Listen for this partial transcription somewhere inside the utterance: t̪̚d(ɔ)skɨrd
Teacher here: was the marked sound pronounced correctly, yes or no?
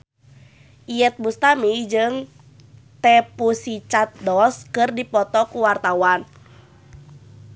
yes